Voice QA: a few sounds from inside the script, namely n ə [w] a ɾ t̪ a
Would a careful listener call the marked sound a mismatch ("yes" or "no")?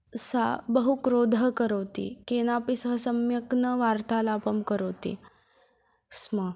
yes